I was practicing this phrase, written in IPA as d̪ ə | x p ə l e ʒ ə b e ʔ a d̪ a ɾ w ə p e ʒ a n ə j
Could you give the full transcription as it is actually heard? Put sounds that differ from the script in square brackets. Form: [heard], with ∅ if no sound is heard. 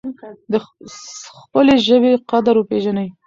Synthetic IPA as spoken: d̪ ə | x p ə l e ʒ ə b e [q] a d̪ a ɾ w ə p e ʒ a n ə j

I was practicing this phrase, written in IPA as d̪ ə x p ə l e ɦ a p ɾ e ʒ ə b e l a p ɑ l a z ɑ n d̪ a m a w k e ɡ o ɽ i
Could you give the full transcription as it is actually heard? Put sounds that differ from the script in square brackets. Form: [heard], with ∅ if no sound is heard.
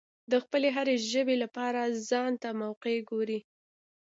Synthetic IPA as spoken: d̪ ə x p ə l e ɦ a [∅] ɾ e ʒ ə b e l a p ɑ [ɾ] a z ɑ n [t̪] a m a w [q] e ɡ o [ɾ] i

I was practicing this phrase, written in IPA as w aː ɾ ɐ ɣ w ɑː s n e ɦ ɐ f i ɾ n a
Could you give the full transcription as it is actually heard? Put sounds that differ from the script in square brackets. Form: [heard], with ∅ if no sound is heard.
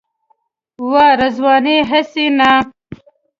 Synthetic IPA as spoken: w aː ɾ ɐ [z] w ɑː [∅] n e ɦ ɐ [s] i [∅] n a

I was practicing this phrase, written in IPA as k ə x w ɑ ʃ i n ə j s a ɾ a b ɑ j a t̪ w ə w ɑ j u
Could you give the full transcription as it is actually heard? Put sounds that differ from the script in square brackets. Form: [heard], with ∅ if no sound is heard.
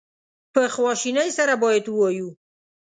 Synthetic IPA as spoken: [p] ə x w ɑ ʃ i n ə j s a ɾ a b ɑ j a [d̪] w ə w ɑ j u

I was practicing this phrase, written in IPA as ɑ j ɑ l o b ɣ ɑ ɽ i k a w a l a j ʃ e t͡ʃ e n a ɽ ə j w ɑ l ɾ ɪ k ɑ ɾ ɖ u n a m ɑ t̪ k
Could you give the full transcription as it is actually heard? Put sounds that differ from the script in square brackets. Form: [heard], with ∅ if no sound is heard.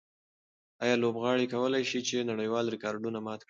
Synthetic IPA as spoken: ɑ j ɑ l o b ɣ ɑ ɽ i k a w [ə] l a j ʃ [i] t͡ʃ e n a ɽ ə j w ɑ l ɾ ɪ k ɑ ɾ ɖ u n a m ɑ t̪ k

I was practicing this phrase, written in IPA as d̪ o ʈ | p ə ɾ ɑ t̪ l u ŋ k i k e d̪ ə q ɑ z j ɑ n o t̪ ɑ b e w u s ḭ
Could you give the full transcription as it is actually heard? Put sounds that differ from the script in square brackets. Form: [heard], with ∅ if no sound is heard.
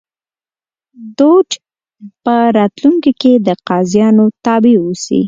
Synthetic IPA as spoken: d̪ o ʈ | p ə ɾ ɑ t̪ l u ŋ k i k e d̪ ə q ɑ z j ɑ n o t̪ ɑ b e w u s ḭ

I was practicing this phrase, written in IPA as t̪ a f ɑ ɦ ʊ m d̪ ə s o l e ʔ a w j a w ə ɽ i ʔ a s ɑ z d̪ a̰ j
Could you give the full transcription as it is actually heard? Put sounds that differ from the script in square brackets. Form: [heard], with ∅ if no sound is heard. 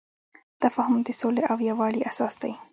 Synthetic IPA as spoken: t̪ a f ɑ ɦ ʊ m d̪ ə s o l e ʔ a w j a w [ɑ] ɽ i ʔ a s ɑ [s] d̪ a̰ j

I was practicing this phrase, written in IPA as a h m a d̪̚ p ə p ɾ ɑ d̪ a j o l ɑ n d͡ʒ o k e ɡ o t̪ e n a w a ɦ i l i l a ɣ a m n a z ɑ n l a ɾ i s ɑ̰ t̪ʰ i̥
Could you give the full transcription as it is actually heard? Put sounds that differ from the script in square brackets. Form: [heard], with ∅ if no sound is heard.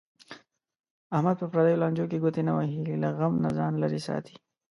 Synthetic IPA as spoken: a h m a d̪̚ p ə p ɾ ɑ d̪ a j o l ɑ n d͡ʒ o k e ɡ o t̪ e n a w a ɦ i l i l a ɣ a m n a z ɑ n l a ɾ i s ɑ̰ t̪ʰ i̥

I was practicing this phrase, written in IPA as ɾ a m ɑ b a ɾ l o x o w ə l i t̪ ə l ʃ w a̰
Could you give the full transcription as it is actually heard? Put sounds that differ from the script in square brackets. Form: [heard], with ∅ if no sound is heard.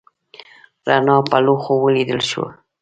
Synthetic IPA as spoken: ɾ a [n] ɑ [p] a [∅] l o x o w ə l i [d̪] ə l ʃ w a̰

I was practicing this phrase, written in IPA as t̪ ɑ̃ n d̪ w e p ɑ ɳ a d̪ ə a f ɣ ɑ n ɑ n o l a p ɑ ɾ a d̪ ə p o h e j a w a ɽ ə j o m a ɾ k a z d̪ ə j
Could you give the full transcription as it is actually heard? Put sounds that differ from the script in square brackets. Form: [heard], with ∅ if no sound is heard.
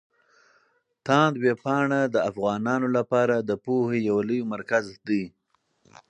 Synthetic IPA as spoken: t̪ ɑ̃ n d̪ w e p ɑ ɳ a d̪ ə a f ɣ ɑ n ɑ n o l a p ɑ ɾ a d̪ ə p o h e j a w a [l] ə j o m a ɾ k a z d̪ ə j

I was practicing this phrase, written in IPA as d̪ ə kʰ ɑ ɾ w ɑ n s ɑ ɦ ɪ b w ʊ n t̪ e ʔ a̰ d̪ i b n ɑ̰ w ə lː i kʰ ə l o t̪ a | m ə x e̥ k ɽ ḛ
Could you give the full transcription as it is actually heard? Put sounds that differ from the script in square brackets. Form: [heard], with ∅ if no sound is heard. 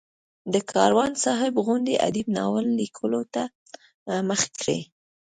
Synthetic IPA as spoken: d̪ ə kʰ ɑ ɾ w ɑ n s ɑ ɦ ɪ b [ɣ] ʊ n [d̪] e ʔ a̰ d̪ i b n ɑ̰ w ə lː i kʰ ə l o t̪ a | m ə x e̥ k ɽ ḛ

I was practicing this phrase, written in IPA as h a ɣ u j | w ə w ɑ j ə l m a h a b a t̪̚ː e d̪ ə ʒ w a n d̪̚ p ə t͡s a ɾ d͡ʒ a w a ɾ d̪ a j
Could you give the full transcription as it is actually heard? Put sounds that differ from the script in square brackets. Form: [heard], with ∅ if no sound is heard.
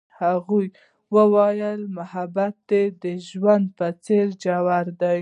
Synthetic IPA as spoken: h a ɣ u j | w ə w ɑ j ə l m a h a b a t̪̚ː e d̪ ə ʒ w a n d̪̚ p ə t͡s [e] ɾ d͡ʒ a w a ɾ d̪ a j

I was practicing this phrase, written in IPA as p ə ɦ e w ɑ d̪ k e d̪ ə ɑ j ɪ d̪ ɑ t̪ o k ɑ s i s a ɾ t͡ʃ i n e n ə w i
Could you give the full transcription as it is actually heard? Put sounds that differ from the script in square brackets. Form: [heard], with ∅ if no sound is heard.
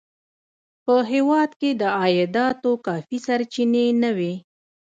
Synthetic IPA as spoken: p ə ɦ e w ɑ d̪ k e d̪ ə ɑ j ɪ d̪ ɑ t̪ o k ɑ [f] i s a ɾ t͡ʃ i n e n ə w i

